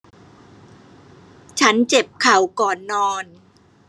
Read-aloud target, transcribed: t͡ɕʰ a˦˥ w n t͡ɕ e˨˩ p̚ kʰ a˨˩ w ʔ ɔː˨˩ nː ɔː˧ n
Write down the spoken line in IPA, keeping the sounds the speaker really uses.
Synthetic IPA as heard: t͡ɕʰ a˦˥ n t͡ɕ e˨˩ p̚ kʰ a˨˩ w k ɔː˨˩ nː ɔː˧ n

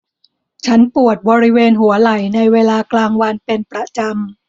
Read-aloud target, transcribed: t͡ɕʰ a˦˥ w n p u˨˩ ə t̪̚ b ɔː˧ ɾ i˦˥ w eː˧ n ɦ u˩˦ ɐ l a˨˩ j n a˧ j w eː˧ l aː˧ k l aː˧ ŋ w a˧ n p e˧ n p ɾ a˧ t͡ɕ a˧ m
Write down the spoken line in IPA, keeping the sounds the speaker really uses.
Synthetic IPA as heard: t͡ɕʰ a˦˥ n p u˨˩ ə t̪̚ b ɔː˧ ɾ i˦˥ w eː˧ n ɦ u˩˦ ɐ l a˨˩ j n a˧ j w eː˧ l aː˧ k l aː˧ ŋ w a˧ n p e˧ n p ɾ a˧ t͡ɕ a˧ m

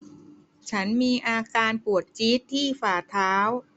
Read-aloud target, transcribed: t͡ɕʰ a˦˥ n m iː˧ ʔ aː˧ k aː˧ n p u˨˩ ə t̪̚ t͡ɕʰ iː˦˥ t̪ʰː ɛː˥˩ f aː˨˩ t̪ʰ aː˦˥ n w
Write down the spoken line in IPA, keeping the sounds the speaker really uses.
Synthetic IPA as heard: t͡ɕʰ a˦˥ n m iː˧ ʔ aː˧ k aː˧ n p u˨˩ ə t̪̚ t͡ɕ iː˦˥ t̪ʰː iː˥˩ f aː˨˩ t̪ʰ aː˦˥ w

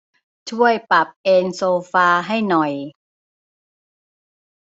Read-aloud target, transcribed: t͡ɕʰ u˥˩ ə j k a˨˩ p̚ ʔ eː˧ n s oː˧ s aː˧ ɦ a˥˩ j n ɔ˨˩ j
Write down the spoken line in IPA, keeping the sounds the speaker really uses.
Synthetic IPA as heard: t͡ɕʰ u˥˩ ə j p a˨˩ p̚ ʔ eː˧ n s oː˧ f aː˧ ɦ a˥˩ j n ɔ˨˩ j

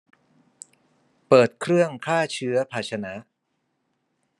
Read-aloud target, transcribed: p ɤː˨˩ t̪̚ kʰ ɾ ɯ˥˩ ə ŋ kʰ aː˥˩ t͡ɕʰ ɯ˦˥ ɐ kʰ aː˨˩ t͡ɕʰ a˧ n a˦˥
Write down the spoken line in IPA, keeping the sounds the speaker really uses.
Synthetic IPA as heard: p ɤː˨˩ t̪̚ kʰ ɾ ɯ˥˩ ə ŋ kʰ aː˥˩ t͡ɕʰ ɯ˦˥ ɐ pʰ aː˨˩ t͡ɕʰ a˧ n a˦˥

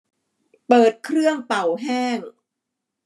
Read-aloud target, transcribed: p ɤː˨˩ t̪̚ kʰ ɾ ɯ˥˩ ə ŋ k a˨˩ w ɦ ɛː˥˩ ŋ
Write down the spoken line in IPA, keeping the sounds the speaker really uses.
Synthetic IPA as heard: p ɤː˨˩ t̪̚ kʰ ɾ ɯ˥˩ ə ŋ p a˨˩ w ɦ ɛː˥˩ ŋ

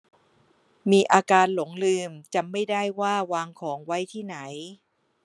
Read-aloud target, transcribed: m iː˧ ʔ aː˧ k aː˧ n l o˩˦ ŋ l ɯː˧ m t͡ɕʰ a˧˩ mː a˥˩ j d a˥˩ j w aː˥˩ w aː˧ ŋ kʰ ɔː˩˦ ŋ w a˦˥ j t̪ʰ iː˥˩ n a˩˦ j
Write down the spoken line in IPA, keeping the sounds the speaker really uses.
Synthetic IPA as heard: m iː˧ ʔ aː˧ k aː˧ n l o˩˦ ŋ l ɯː˧ m t͡ɕ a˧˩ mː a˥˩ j d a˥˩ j w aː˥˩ w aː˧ ŋ kʰ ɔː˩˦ ŋ w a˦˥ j t̪ʰ iː˥˩ n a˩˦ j

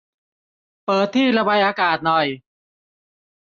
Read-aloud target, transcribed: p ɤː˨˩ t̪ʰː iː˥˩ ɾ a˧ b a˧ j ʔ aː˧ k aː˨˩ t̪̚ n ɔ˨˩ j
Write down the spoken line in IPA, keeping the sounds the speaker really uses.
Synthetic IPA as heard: p ɤː˨˩ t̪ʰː iː˥˩ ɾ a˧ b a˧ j ʔ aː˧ k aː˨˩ t̪̚ n ɔ˨˩ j

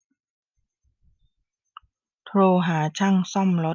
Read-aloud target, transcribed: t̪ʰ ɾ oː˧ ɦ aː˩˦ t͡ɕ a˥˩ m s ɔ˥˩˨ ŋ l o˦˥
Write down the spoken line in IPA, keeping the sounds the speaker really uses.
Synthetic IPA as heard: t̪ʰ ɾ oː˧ ɦ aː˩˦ t͡ɕʰ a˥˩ ŋ s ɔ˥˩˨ m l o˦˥

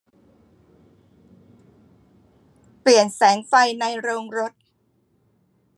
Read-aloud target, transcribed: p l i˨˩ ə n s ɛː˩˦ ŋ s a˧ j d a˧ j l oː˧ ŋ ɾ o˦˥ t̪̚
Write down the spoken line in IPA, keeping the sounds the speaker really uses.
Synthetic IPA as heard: p l i˨˩ ə n s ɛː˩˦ ŋ f a˧ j n a˧ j ɾ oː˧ ŋ ɾ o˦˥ t̪̚

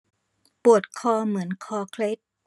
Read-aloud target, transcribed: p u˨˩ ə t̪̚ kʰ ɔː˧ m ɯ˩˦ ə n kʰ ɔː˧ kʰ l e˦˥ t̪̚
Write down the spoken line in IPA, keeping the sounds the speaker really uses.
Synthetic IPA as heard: p u˨˩ ə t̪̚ kʰ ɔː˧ m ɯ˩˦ ə n kʰ ɔː˧ kʰ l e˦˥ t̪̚

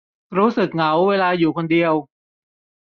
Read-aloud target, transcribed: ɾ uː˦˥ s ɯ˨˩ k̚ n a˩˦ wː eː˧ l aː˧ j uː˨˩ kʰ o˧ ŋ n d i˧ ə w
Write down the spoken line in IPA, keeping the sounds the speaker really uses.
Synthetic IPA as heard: ɾ uː˦˥ s ɯ˨˩ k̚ ŋ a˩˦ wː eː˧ l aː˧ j uː˨˩ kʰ o˧ n d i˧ ə w

